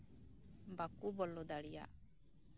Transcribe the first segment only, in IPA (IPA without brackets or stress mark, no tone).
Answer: b